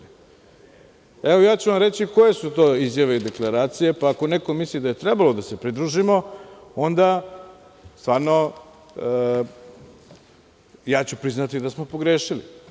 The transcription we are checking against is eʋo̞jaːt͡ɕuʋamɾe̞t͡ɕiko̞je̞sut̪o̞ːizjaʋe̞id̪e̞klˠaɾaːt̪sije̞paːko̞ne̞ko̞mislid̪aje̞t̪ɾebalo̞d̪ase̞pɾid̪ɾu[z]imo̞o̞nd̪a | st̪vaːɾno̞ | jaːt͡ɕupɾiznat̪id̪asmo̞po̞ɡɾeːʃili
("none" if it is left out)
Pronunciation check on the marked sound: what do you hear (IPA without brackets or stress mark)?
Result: ʒ